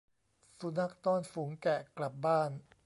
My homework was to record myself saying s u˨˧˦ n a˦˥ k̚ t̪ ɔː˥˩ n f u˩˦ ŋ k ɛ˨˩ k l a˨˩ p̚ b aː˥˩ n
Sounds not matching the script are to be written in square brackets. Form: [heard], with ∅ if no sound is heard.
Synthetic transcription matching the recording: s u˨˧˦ n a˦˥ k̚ t̪ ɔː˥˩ n f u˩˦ ŋ k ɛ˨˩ k l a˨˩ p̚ b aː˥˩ n